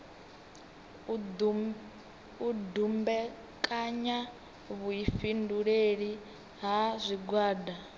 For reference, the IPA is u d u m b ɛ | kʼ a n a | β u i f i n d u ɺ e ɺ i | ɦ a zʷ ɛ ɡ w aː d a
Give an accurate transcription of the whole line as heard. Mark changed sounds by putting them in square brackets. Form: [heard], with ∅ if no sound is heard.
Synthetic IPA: u d u m b ɛ | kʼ a [ɲ] a | β u i f i n d u ɺ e ɺ i | ɦ a zʷ [i] ɡ w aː d a